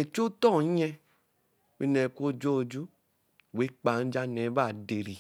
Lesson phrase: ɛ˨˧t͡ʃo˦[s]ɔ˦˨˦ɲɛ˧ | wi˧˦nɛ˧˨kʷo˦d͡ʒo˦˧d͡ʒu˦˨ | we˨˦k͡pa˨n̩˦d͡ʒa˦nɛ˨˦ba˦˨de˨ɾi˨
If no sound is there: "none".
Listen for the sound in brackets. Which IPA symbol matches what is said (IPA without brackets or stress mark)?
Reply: t